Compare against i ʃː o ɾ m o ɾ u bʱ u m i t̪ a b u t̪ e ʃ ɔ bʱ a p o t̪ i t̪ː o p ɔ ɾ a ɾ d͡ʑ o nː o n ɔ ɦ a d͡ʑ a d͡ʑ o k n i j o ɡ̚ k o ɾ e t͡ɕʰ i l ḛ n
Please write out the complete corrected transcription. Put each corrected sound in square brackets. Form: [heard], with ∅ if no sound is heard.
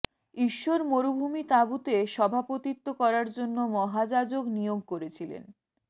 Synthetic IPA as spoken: i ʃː o ɾ m o ɾ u bʱ u m i t̪ a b u t̪ e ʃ ɔ bʱ a p o t̪ i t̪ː o [k] ɔ ɾ a ɾ d͡ʑ o nː o [m] ɔ ɦ a d͡ʑ a d͡ʑ o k n i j o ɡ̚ k o ɾ e t͡ɕʰ i l ḛ n